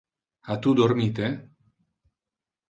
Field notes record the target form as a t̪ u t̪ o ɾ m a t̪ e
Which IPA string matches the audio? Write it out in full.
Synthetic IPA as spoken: a t̪ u d̪ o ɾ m i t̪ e

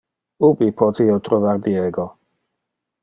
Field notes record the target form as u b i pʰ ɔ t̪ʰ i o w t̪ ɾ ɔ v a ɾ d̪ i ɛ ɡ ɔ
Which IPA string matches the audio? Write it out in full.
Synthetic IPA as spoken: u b i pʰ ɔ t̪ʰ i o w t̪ ɾ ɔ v a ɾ d̪ i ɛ ɡ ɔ

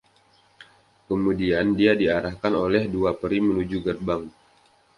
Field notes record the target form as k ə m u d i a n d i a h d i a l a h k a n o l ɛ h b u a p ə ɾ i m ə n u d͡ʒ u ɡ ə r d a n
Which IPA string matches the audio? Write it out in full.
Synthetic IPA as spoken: k ə m u d i a n d i a d i a ɾ a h k a n o l ɛ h d u a p ə ɾ i m ə n u d͡ʒ u ɡ ə r b a ŋ

